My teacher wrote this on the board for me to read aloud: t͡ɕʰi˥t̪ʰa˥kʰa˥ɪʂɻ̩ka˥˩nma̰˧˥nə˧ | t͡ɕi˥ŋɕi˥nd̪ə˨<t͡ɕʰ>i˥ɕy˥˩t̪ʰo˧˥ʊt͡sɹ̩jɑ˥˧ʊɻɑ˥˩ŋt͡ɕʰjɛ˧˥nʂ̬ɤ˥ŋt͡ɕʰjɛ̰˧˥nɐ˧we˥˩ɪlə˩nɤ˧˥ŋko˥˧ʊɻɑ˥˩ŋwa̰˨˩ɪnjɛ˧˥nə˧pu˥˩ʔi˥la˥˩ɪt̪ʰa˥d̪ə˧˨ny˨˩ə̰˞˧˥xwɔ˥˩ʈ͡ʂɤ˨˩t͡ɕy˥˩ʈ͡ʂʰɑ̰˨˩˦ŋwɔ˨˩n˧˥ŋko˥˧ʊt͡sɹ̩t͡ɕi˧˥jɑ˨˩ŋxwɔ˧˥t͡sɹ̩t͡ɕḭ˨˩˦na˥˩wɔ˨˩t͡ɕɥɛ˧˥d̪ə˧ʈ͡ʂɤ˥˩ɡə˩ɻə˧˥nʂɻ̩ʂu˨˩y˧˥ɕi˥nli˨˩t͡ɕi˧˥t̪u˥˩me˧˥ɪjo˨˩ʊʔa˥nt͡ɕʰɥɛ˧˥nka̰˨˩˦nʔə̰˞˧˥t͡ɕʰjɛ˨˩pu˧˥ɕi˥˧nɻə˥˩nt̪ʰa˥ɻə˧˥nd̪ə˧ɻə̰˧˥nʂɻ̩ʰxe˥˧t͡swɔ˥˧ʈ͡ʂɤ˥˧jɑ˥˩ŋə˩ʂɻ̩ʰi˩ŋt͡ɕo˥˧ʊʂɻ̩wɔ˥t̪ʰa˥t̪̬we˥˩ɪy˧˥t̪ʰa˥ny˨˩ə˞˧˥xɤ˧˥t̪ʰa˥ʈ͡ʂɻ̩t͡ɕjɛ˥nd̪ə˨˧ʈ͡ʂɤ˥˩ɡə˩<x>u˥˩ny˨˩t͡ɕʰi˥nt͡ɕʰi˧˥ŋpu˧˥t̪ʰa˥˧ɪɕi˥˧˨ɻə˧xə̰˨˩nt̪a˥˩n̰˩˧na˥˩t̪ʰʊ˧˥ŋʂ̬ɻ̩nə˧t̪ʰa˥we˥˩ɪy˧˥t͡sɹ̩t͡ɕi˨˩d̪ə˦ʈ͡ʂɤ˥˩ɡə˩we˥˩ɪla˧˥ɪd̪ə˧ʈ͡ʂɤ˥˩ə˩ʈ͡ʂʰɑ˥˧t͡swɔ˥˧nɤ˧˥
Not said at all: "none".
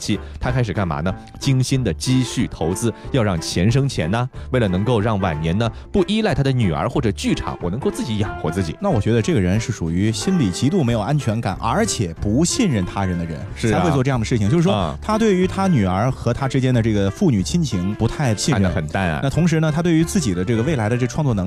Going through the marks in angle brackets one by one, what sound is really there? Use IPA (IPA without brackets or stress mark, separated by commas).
t͡ɕ, f